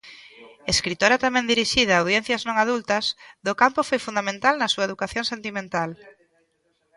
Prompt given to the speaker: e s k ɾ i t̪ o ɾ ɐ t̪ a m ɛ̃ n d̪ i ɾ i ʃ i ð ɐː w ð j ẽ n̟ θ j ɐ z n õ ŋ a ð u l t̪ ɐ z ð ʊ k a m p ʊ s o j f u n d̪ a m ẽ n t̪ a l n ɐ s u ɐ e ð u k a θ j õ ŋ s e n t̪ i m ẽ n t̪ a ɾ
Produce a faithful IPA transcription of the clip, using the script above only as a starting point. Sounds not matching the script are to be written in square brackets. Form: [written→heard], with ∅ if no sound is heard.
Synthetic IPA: e s k ɾ i t̪ o ɾ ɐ t̪ a m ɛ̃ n d̪ i ɾ i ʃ i ð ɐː w ð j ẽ n̟ θ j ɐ z n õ ŋ a ð u l t̪ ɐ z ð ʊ k a m p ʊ [s→f] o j f u n d̪ a m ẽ n t̪ a l n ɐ s u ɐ e ð u k a θ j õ ŋ s e n t̪ i m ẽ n t̪ a [ɾ→l]

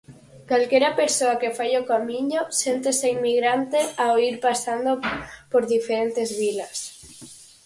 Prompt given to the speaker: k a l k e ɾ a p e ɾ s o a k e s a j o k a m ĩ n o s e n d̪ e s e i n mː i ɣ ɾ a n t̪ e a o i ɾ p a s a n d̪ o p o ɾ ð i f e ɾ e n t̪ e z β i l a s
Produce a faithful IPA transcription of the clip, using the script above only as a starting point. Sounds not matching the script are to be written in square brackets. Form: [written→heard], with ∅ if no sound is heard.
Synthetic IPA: k a l k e ɾ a p e ɾ s o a k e [s→f] a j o k a m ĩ [n→ɲ] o s e n [d̪→t̪] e s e i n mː i ɣ ɾ a n t̪ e a o i ɾ p a s a n d̪ o p o ɾ ð i f e ɾ e n t̪ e z β i l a s

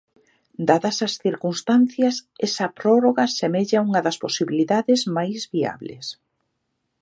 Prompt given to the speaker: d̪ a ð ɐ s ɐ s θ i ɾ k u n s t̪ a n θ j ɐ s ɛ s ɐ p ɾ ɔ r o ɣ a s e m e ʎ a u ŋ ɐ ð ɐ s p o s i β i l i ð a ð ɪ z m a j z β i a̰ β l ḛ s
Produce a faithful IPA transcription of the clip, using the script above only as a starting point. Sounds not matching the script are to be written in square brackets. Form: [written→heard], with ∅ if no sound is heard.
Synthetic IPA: d̪ a ð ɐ s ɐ s θ i ɾ k u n s t̪ a n θ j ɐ s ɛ s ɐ p ɾ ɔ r o ɣ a s e m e ʎ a u ŋ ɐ ð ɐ s p o s i β i l i ð a ð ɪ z m a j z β i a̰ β l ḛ s

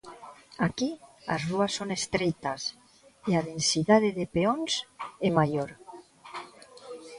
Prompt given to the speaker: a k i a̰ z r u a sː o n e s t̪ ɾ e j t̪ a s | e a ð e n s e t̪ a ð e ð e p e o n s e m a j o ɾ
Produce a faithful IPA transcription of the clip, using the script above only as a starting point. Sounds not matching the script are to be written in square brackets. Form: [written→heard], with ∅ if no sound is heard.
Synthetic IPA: a k i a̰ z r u a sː o n e s t̪ ɾ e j t̪ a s | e a ð e n s [e→i] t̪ a ð e ð e p e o n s e m a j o ɾ

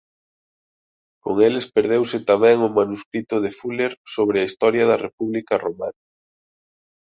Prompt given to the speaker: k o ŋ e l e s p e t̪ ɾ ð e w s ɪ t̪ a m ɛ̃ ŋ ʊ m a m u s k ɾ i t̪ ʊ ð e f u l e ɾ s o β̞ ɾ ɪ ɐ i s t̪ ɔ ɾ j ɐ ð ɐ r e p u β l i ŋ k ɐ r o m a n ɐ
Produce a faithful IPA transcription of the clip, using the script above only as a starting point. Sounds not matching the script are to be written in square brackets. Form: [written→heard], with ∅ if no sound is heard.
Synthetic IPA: k o ŋ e l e s p e [t̪→∅] ɾ ð e w s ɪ t̪ a m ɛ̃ ŋ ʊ m a [m→n] u s k ɾ i t̪ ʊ ð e f u l e ɾ s o β̞ ɾ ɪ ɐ i s t̪ ɔ ɾ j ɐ ð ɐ r e p u β l i [ŋ→∅] k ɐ r o m a n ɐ

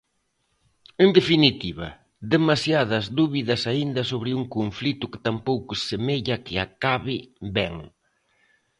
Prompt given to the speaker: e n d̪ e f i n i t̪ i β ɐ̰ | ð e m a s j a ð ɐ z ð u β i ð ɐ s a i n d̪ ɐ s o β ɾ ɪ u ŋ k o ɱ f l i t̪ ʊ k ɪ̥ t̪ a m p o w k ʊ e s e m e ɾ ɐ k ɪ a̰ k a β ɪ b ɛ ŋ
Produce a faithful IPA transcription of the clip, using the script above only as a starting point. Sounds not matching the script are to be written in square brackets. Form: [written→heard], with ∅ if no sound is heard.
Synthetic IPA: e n d̪ e f i n i t̪ i β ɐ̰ | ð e m a s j a ð ɐ z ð u β i ð ɐ s a i n d̪ ɐ s o β ɾ ɪ u ŋ k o ɱ f l i t̪ ʊ k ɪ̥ t̪ a m p o w k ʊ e s e m e [ɾ→ʎ] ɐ k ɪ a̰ k a β ɪ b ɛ ŋ

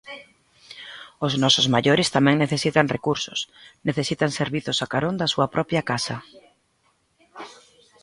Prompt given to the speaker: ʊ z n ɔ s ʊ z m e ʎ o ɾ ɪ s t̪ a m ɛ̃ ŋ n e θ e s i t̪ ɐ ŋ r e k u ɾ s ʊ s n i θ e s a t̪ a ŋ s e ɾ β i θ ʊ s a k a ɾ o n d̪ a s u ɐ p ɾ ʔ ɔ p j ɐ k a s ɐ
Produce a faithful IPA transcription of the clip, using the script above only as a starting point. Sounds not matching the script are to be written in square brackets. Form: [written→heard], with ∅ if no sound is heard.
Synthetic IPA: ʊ z n ɔ s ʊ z m [e→a] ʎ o ɾ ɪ s t̪ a m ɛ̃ ŋ n e θ e s i t̪ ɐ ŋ r e k u ɾ s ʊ s n [i→e] θ e s [a→i] t̪ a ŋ s e ɾ β i θ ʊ s a k a ɾ o n d̪ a s u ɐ p ɾ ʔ ɔ p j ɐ k a s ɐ

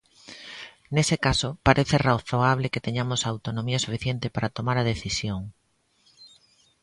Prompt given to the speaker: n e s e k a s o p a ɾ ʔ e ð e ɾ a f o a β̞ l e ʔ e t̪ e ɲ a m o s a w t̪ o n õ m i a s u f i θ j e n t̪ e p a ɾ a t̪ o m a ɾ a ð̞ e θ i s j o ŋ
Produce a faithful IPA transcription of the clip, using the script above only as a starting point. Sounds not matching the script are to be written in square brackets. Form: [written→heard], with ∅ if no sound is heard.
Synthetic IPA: n e s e k a s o p a ɾ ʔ e [ð→θ] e [ɾ→r] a [f→θ] o a β̞ l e [ʔ→k] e t̪ e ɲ a m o s a w t̪ o n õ m i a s u f i θ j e n t̪ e p a ɾ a t̪ o m a ɾ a ð̞ e θ i s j o ŋ

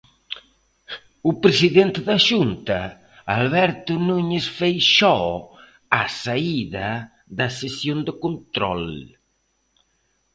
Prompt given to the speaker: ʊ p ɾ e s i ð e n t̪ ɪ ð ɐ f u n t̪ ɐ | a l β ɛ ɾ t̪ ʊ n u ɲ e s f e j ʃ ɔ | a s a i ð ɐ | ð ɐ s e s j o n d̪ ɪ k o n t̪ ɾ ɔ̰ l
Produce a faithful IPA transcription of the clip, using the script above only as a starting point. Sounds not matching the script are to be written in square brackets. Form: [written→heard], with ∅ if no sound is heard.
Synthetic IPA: ʊ p ɾ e s i ð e n t̪ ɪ ð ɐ [f→ʃ] u n t̪ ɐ | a l β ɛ ɾ t̪ ʊ n u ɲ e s f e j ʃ ɔ | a s a i ð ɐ | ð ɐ s e s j o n d̪ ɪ k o n t̪ ɾ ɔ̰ l

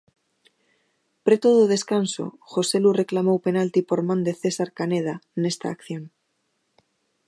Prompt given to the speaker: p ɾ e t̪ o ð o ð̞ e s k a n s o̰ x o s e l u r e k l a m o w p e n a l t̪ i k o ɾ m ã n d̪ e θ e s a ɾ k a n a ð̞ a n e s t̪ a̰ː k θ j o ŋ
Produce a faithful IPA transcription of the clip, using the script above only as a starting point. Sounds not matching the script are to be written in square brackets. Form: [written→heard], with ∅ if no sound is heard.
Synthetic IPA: p ɾ e t̪ o ð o ð̞ e s k a n s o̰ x o s e l u r e k l a m o w p e n a l t̪ i [k→p] o ɾ m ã n d̪ e θ e s a ɾ k a n [a→e] ð̞ a n e s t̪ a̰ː k θ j o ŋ

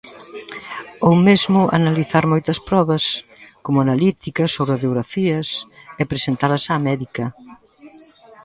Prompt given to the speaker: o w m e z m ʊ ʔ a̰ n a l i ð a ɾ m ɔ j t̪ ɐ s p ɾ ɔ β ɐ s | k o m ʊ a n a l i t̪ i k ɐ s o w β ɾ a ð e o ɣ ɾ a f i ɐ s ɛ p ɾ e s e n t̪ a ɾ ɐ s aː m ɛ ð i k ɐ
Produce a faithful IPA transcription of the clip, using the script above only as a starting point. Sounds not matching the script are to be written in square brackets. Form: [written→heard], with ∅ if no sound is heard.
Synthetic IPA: o w m e z m ʊ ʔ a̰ n a l i [ð→θ] a ɾ m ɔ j t̪ ɐ s p ɾ ɔ β ɐ s | k o m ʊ a n a l i t̪ i k ɐ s o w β ɾ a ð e o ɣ ɾ a f i ɐ s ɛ p ɾ e s e n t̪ a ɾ ɐ s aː m ɛ ð i k ɐ

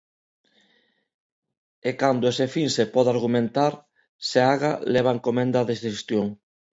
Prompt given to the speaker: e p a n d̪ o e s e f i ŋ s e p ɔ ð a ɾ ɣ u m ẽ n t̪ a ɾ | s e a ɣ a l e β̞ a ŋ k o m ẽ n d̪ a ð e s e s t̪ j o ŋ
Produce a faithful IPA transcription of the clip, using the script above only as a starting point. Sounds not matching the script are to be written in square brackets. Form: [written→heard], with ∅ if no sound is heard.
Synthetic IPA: e [p→k] a n d̪ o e s e f i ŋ s e p ɔ ð a ɾ ɣ u m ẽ n t̪ a ɾ | s e a ɣ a l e β̞ a ŋ k o m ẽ n d̪ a ð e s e s t̪ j o ŋ

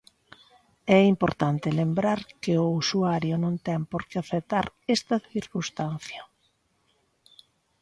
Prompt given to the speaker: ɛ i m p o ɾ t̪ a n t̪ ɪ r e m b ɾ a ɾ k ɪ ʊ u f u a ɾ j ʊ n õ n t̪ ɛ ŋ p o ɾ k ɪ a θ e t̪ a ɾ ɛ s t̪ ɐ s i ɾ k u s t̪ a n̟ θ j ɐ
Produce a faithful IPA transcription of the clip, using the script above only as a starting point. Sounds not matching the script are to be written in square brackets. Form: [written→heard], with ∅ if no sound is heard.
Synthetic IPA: ɛ i m p o ɾ t̪ a n t̪ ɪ [r→l] e m b ɾ a ɾ k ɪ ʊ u [f→s] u a ɾ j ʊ n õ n t̪ ɛ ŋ p o ɾ k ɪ a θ e t̪ a ɾ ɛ s t̪ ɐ [s→θ] i ɾ k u s t̪ a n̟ θ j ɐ

